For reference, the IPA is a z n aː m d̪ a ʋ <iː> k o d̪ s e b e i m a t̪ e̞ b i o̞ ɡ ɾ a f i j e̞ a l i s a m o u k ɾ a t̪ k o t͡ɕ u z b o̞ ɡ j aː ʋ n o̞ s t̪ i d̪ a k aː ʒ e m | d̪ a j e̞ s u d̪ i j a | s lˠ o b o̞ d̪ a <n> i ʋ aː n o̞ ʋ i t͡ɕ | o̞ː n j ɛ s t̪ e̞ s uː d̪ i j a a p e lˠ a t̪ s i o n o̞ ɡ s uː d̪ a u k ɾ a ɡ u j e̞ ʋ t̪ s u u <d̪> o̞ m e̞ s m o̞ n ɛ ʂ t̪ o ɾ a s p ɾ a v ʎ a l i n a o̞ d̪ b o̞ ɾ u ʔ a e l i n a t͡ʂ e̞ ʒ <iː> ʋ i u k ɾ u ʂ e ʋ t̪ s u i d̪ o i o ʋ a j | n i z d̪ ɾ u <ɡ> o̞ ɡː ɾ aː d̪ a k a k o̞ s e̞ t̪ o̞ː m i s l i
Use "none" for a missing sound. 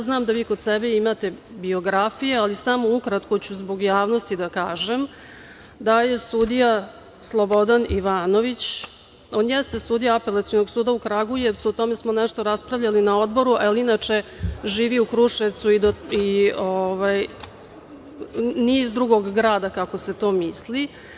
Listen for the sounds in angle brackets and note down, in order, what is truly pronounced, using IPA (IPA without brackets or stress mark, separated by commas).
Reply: iː, n, t̪, iː, ɡ